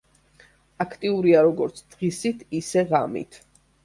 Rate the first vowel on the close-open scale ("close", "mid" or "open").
open